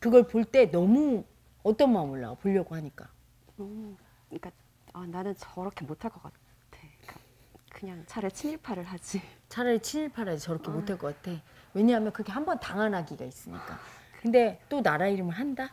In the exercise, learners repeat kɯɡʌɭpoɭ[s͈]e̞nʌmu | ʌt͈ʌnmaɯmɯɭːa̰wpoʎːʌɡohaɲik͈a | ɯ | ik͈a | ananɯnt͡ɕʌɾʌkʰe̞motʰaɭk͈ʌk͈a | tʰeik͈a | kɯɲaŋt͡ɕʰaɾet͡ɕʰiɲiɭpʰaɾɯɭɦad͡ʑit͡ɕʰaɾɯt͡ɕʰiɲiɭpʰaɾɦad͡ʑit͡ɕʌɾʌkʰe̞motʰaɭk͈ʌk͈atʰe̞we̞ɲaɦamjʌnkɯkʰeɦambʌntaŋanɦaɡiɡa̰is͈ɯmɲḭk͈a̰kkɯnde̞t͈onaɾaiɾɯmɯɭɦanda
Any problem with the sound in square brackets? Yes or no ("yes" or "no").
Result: yes